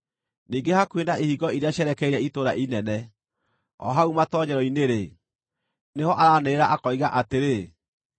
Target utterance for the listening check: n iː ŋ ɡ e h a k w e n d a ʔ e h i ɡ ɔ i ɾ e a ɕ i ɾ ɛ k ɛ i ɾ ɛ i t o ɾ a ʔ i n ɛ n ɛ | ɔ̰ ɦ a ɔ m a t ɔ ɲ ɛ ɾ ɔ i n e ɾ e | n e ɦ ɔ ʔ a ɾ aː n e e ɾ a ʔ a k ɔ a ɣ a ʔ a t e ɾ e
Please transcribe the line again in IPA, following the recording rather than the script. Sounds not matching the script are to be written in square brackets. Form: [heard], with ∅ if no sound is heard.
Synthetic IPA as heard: n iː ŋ ɡ e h a k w e n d a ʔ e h i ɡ ɔ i ɾ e a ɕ [ɛ] ɾ ɛ k ɛ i ɾ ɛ i t o ɾ a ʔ i n ɛ n ɛ | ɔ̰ ɦ a [u] m a t ɔ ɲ ɛ ɾ ɔ i n e ɾ e | n e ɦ ɔ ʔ a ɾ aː n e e ɾ a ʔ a k ɔ [i] ɣ a ʔ a t e ɾ e